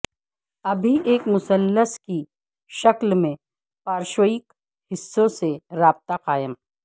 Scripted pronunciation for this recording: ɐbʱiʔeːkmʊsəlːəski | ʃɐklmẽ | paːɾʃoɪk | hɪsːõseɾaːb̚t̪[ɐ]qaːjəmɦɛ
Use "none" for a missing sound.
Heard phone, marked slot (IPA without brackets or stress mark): a